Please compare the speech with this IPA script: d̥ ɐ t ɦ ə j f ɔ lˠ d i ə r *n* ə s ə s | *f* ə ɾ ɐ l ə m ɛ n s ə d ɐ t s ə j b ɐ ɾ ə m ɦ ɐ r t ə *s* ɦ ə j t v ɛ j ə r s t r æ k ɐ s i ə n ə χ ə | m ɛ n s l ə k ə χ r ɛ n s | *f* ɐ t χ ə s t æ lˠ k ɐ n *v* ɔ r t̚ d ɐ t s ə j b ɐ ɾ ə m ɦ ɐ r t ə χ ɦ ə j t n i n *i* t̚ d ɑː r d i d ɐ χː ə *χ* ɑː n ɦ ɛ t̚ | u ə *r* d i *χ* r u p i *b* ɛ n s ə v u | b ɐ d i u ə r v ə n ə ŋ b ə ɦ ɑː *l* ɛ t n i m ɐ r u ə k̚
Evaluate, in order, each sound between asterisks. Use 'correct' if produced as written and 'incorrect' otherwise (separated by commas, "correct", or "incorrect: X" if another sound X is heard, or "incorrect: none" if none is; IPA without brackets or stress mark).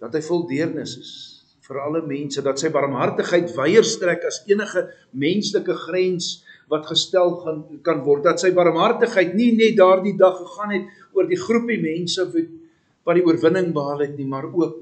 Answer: correct, correct, incorrect: χ, incorrect: v, correct, incorrect: ɛ, correct, correct, correct, incorrect: m, correct